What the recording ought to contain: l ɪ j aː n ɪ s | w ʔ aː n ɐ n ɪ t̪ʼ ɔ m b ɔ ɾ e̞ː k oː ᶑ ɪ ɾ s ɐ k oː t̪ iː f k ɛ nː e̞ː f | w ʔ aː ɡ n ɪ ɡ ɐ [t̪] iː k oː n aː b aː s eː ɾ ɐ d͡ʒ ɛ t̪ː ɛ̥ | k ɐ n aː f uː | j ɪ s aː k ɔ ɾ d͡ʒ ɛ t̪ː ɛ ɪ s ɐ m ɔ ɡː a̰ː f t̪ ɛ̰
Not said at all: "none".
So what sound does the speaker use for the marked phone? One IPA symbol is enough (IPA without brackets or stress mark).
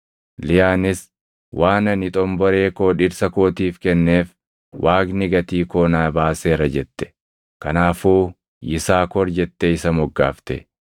t̪